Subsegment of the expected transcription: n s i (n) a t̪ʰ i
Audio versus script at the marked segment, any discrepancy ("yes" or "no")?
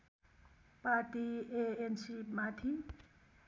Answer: yes